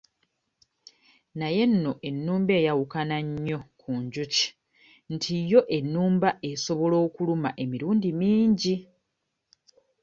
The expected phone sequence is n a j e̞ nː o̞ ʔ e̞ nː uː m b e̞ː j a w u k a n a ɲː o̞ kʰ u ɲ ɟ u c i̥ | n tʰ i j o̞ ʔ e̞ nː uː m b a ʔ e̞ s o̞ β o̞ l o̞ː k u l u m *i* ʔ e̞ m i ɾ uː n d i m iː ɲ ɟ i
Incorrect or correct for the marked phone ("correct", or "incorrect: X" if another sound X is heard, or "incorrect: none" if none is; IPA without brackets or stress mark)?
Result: incorrect: a